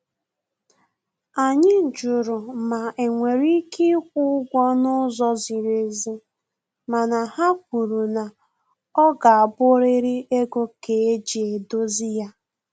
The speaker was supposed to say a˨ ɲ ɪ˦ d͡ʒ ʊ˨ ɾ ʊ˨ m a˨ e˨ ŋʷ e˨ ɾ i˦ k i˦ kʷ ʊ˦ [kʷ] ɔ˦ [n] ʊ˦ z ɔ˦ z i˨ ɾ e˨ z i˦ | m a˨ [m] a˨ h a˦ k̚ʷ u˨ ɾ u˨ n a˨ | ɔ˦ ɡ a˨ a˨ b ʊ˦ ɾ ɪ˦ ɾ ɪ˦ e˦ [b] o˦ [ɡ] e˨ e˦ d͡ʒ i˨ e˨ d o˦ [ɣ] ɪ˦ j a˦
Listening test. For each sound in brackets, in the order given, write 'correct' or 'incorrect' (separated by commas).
incorrect, correct, incorrect, incorrect, incorrect, incorrect